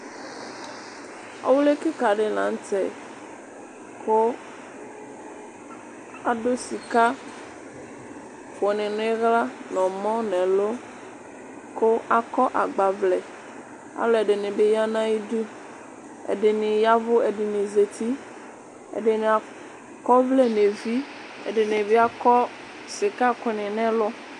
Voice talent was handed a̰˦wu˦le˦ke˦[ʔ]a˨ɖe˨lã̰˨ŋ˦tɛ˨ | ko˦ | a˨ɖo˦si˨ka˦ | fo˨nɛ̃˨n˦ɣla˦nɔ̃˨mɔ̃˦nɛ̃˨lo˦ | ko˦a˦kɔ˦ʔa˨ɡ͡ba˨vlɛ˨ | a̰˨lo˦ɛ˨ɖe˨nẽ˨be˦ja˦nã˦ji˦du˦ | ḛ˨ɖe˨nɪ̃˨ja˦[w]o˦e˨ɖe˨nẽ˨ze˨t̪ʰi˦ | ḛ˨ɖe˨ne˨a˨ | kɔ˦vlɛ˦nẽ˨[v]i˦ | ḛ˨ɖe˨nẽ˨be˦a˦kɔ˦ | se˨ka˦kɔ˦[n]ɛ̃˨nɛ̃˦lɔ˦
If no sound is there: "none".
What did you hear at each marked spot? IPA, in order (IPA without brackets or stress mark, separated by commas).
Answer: k, v, v, n